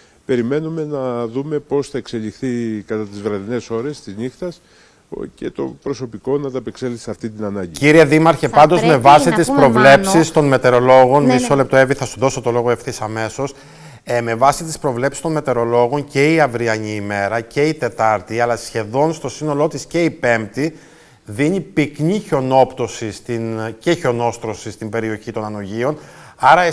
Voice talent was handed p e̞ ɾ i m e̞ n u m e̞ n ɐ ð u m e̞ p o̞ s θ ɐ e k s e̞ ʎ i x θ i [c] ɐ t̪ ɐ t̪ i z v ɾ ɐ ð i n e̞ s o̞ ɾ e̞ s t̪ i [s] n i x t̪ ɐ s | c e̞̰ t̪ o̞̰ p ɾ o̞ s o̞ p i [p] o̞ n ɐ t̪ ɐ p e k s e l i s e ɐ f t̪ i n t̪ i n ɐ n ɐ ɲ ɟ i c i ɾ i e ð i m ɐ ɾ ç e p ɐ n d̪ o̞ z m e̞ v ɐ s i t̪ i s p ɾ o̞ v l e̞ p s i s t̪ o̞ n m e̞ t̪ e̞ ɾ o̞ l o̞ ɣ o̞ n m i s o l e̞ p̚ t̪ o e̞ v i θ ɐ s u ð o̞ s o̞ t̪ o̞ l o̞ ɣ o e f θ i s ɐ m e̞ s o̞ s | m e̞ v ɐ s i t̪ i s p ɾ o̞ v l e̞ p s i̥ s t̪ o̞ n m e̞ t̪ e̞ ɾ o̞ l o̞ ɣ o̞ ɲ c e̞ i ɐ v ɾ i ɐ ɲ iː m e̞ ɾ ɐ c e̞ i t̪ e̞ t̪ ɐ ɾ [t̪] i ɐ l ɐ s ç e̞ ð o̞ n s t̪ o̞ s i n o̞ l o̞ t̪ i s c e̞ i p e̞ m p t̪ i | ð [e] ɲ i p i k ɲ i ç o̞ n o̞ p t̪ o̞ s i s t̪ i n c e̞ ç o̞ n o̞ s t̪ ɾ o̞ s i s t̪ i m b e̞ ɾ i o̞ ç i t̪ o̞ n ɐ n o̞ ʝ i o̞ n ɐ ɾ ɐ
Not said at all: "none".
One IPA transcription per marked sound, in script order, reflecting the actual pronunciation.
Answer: k, z, k, t̪, i

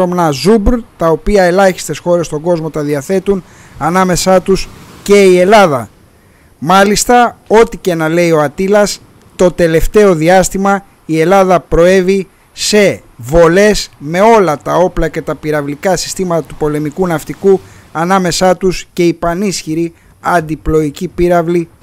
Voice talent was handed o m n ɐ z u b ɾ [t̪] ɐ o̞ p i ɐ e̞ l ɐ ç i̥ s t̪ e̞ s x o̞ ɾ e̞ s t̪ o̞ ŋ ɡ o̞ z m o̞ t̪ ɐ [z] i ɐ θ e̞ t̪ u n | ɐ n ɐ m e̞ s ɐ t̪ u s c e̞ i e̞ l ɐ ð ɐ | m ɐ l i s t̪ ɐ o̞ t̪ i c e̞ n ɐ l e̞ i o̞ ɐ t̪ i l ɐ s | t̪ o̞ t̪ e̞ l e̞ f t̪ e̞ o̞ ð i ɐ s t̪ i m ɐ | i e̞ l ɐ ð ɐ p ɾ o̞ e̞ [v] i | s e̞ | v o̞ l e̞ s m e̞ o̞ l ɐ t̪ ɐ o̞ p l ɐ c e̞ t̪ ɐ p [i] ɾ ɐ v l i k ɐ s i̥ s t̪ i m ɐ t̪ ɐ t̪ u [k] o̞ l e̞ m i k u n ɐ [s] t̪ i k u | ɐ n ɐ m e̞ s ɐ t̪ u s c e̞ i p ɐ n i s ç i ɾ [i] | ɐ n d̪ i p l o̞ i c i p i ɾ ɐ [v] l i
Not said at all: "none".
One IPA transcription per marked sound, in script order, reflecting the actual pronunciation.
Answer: t̪, ð, v, i, p, f, i, v

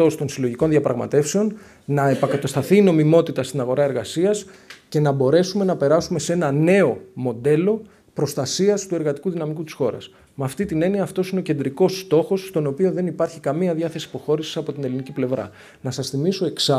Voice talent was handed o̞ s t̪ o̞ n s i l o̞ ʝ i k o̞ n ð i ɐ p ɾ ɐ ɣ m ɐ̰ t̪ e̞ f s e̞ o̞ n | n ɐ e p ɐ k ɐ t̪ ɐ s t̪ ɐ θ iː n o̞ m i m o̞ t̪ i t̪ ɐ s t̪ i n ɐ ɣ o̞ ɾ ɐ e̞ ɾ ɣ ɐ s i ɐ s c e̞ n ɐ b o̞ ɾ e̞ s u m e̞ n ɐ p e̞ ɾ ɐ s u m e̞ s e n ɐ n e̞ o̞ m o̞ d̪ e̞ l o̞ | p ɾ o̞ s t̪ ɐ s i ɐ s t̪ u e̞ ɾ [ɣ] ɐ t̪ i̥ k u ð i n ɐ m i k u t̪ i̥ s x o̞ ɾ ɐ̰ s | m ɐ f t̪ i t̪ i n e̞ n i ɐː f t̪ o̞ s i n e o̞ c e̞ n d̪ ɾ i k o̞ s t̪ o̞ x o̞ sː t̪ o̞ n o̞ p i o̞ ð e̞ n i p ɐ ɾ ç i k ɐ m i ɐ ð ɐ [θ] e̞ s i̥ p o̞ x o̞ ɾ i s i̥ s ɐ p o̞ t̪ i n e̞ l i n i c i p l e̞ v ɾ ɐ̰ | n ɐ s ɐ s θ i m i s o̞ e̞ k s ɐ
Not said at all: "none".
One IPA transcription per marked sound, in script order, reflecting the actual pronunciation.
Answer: ɣ, θ

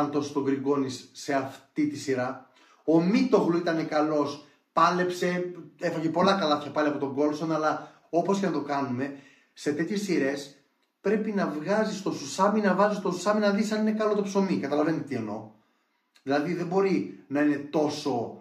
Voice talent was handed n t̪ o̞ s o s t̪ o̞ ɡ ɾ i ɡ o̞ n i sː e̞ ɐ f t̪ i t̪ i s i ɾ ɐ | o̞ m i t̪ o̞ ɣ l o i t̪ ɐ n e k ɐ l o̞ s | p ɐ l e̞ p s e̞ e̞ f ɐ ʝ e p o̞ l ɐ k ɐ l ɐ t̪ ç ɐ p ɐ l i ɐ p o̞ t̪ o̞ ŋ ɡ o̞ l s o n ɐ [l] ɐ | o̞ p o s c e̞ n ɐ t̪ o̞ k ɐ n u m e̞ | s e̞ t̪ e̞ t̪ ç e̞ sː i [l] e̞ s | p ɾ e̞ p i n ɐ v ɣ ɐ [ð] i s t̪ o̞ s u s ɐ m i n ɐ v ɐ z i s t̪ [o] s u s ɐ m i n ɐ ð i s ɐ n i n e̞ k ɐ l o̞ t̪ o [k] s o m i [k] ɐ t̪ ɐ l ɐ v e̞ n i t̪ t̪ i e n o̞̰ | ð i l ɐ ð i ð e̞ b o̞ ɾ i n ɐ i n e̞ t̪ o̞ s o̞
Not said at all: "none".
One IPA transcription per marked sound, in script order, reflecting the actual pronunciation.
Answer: l, ɾ, z, o, p, k

